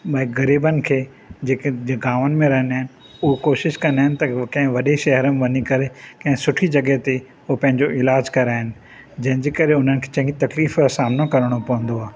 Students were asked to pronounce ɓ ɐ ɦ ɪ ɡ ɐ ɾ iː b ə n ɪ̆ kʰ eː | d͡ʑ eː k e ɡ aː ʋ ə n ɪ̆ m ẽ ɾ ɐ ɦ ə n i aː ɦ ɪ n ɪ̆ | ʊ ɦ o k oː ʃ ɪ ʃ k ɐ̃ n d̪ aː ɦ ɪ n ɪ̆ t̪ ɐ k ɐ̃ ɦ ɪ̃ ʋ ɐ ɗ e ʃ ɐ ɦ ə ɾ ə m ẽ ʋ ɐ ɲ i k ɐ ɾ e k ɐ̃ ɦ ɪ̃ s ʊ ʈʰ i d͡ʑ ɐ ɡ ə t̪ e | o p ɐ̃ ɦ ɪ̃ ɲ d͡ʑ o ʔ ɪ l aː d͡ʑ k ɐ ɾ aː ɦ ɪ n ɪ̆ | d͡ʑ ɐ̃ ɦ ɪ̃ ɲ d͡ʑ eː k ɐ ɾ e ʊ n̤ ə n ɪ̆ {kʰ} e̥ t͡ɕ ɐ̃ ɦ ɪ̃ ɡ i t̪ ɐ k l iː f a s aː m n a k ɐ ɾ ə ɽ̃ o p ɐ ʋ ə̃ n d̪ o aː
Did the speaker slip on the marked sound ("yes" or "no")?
no